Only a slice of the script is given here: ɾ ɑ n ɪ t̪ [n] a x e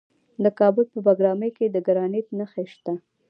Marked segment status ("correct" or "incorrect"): correct